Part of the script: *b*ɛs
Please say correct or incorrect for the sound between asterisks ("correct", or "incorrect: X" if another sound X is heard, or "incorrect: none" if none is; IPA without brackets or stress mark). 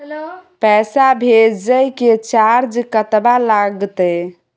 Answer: incorrect: p